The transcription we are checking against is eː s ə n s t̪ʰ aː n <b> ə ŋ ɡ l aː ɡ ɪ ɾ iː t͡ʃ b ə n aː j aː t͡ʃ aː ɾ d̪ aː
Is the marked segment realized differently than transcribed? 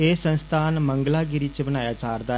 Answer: yes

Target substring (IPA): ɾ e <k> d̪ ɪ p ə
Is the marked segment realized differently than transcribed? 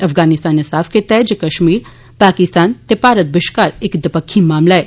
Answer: no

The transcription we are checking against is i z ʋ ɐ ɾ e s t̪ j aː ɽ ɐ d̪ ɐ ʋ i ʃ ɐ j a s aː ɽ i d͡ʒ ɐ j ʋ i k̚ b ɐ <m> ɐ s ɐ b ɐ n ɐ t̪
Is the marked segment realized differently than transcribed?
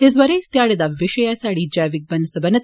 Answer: yes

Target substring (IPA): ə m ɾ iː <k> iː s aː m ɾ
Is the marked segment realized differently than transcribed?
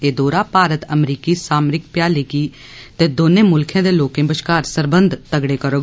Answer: no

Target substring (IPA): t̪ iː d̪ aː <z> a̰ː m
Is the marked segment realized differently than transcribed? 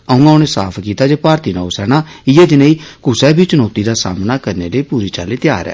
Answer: yes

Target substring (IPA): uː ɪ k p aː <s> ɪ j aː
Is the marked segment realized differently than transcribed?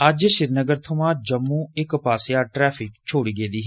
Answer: no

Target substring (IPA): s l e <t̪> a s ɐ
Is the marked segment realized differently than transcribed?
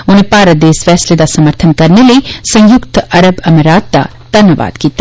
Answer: yes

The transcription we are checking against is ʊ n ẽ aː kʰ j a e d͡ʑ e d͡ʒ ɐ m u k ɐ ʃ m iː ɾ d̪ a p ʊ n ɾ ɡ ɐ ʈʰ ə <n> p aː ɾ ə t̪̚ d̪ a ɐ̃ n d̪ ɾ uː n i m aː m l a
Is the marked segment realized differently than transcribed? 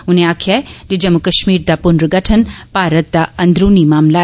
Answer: no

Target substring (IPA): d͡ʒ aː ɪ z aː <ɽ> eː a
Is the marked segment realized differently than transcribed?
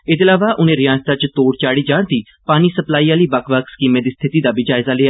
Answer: yes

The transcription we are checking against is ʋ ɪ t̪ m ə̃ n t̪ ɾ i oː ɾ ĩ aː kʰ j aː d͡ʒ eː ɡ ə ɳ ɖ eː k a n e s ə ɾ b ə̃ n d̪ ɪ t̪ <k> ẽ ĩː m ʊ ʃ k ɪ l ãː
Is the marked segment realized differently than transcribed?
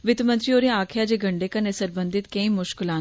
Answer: no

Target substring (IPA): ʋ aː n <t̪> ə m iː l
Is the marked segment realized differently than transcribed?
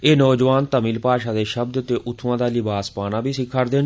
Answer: no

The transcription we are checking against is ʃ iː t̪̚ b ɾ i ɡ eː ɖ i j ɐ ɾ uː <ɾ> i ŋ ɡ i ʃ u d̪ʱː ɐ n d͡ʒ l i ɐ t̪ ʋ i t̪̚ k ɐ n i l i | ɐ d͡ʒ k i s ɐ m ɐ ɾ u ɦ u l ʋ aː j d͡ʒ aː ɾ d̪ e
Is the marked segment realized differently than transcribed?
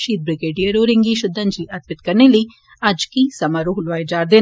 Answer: no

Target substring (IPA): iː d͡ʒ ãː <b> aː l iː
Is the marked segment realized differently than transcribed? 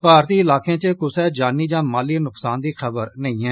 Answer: yes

